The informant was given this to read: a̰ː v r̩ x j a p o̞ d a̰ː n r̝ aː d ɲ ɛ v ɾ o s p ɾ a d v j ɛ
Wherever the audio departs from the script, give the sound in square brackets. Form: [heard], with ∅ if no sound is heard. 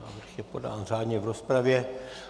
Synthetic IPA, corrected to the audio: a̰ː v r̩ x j [ɛ] p o̞ d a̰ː n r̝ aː d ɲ ɛ v ɾ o s p ɾ a [∅] v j ɛ

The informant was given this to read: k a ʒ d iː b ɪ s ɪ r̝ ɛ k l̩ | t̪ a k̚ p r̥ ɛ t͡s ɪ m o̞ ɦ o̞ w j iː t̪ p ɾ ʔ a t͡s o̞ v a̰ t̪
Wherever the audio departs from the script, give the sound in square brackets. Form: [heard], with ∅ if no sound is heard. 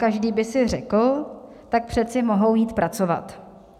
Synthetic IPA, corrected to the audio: k a ʒ d iː b ɪ s ɪ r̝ ɛ k l̩ | t̪ a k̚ p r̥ ɛ t͡s ɪ m o̞ ɦ o̞ w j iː t̪ p ɾ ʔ a t͡s o̞ v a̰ t̪

